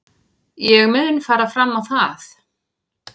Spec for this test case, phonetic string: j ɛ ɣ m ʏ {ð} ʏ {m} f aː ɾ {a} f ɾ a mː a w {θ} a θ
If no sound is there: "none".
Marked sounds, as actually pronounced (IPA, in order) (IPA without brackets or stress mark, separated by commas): ð, n, a, θ